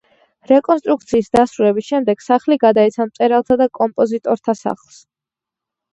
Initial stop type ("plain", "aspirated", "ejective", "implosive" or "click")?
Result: ejective